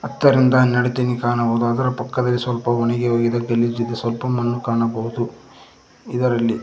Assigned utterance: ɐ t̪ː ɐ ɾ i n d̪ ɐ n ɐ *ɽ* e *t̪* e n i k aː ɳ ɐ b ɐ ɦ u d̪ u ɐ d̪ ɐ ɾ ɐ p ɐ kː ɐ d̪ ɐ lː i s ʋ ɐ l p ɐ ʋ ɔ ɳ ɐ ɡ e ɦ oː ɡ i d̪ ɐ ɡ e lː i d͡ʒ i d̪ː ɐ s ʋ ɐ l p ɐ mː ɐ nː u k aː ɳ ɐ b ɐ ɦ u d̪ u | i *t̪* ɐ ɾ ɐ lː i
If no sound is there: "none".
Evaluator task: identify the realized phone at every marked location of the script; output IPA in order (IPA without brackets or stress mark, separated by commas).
ɽ, t̪, d̪